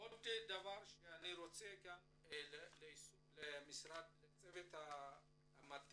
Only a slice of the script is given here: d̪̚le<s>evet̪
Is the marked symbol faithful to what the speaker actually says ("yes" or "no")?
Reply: no